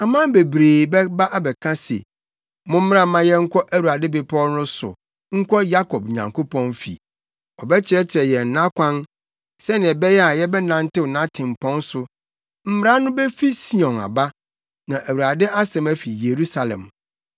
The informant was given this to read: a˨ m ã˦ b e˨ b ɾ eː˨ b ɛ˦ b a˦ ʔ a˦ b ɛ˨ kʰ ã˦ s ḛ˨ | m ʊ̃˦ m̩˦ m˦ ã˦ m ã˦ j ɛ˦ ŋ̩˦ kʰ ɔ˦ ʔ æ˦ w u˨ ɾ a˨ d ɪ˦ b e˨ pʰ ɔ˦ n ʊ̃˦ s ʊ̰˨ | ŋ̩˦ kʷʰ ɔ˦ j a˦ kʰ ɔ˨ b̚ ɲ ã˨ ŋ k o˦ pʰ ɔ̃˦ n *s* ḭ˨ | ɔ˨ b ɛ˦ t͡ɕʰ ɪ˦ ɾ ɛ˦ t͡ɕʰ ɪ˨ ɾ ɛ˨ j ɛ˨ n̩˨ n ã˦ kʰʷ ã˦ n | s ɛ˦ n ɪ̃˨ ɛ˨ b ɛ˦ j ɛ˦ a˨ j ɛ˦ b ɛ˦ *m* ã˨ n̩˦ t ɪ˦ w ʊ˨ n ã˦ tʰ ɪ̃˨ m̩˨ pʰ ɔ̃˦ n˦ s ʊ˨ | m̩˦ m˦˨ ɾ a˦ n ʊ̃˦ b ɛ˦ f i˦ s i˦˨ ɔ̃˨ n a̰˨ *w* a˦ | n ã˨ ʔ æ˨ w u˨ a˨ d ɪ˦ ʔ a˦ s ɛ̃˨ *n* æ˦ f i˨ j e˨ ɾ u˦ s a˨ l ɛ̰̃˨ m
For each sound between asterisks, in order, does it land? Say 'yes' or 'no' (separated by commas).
no, no, no, no